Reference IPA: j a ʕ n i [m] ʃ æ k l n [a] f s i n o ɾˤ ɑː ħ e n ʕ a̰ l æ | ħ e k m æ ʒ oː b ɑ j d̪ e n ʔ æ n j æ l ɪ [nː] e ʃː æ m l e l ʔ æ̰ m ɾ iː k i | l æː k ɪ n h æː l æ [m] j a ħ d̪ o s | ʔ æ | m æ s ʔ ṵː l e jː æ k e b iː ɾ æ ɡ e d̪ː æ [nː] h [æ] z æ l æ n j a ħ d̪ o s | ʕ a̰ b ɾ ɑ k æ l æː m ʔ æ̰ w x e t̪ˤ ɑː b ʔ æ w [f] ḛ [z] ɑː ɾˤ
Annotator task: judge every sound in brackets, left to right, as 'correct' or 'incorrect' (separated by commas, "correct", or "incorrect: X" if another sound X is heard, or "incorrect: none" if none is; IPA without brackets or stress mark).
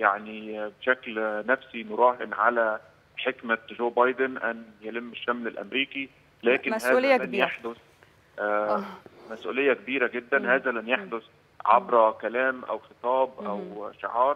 incorrect: b, incorrect: æ, incorrect: mː, incorrect: n, incorrect: n, incorrect: æː, incorrect: ʃ, incorrect: ʕ